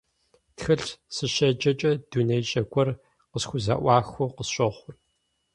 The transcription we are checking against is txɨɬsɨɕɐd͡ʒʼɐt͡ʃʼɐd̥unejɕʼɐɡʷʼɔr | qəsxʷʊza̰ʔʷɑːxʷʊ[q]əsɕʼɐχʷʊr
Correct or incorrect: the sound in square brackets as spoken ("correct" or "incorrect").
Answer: correct